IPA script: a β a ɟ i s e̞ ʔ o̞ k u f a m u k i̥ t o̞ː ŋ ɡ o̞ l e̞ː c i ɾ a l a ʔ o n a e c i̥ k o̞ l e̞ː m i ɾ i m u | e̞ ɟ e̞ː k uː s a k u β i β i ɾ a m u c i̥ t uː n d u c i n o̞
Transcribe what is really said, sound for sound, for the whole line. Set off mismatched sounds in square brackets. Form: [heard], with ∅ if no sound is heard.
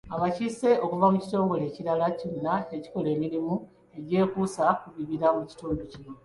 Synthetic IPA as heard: a β a [c] i s e̞ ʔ o̞ k u [v] a m u [c] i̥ t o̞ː ŋ ɡ o̞ l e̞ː c i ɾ a l a [c] o [nː] a e c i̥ k o̞ l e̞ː m i ɾ i m u | e̞ ɟ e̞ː k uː s a k u β i β i ɾ a m u c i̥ t uː n d u c i n o̞